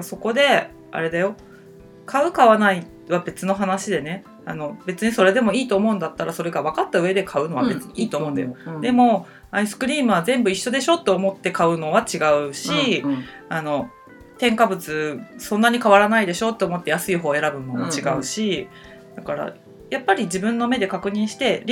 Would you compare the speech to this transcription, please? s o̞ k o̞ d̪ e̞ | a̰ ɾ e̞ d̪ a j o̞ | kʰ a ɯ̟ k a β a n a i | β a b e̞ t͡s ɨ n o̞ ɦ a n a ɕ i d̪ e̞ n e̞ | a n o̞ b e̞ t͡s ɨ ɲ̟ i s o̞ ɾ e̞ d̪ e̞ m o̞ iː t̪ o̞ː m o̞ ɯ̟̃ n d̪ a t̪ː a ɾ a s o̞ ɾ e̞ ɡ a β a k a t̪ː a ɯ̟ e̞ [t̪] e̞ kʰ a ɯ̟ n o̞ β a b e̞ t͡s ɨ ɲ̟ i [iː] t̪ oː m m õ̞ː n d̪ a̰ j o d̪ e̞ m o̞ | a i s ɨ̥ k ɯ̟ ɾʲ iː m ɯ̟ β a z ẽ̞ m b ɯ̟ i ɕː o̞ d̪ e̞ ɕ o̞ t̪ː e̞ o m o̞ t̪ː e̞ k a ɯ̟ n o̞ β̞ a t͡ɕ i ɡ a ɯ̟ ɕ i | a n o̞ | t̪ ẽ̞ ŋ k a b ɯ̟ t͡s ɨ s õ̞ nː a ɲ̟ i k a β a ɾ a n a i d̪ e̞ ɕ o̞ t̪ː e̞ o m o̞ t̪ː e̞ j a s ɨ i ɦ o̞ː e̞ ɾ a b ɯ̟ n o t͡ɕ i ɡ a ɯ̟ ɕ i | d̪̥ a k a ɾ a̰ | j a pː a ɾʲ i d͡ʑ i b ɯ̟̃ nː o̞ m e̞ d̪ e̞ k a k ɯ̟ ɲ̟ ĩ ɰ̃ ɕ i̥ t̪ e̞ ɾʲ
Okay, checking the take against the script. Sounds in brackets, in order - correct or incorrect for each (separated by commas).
incorrect, correct